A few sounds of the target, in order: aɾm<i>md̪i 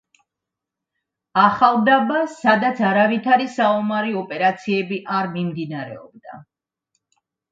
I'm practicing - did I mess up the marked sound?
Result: no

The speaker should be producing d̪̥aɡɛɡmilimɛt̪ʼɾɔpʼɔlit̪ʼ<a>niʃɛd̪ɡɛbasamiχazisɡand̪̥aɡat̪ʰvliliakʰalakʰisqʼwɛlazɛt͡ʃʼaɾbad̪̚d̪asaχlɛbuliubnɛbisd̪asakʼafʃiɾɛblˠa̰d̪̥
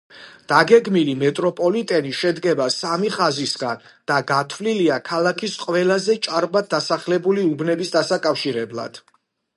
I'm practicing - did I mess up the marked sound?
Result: yes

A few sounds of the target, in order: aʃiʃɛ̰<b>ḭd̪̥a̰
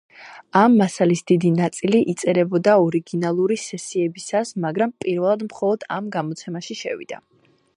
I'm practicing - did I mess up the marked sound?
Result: yes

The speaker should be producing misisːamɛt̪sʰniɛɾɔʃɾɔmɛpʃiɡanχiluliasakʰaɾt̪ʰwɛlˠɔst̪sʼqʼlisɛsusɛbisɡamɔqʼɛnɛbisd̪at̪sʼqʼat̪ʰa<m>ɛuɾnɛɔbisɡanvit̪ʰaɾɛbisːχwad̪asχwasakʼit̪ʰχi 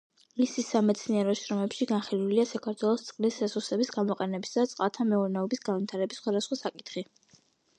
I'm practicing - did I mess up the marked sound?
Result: no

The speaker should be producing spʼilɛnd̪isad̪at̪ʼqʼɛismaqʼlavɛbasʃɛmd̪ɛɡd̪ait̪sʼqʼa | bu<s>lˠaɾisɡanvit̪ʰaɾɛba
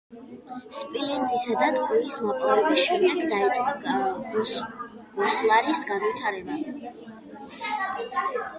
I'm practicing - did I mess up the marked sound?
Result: no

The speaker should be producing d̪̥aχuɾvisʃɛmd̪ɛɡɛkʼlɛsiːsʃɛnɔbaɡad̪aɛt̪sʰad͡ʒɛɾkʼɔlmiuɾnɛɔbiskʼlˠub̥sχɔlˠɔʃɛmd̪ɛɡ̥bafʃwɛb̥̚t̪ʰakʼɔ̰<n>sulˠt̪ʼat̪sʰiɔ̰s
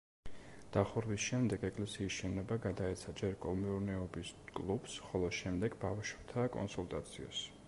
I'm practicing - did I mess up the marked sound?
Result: no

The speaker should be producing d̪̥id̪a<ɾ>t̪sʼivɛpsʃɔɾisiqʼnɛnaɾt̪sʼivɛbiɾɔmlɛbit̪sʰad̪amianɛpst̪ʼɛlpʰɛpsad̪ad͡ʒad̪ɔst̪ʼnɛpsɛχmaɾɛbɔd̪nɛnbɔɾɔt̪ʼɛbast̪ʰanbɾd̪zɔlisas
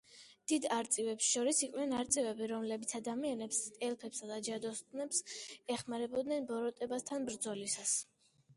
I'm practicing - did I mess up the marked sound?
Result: no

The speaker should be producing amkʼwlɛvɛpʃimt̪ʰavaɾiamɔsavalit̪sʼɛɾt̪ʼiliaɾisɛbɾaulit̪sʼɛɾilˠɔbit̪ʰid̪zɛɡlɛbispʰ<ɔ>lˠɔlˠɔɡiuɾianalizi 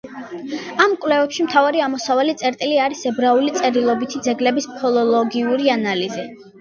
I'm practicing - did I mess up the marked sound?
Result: no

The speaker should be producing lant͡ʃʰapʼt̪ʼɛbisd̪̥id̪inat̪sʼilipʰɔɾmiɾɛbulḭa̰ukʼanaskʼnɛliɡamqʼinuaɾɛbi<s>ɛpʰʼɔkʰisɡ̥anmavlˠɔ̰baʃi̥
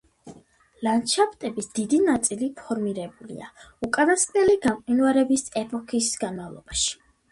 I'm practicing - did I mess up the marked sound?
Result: no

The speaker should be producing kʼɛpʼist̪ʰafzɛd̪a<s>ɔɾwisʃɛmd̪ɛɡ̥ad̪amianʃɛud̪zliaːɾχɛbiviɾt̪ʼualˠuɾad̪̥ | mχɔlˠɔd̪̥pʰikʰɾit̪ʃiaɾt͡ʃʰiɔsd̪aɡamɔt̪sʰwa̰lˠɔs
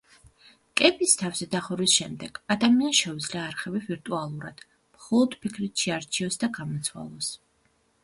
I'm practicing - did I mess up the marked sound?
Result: yes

